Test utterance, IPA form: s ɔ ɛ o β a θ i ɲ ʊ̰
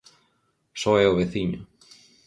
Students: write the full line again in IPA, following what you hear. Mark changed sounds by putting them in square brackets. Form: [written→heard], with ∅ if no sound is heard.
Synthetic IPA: s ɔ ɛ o β [a→e] θ i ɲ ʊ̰